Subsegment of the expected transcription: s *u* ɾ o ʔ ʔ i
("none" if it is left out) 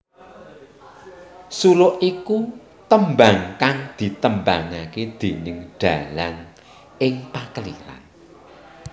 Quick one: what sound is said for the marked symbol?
u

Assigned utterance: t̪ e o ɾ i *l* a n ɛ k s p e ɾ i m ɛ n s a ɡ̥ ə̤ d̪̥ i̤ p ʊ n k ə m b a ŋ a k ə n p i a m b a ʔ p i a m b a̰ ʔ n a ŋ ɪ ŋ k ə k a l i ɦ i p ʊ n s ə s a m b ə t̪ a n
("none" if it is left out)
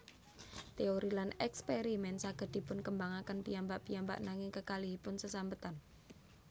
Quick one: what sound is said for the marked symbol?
l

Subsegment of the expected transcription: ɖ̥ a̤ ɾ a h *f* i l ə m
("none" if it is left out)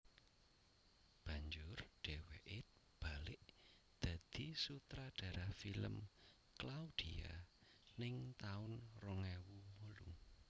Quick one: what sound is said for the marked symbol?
f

